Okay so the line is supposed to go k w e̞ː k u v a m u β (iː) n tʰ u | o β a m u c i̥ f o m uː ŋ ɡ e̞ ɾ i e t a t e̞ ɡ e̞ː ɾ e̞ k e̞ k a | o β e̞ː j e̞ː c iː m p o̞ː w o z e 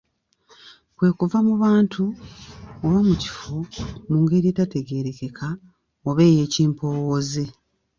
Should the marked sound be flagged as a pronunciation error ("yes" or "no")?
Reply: yes